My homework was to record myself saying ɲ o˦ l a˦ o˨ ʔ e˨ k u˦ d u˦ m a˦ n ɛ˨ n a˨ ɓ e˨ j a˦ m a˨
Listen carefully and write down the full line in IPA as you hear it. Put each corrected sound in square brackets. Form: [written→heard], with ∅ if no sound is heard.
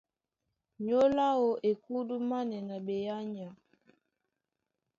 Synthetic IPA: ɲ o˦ l a˦ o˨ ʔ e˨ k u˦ d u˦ m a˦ n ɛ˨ n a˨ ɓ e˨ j a˦ [m→ɲ] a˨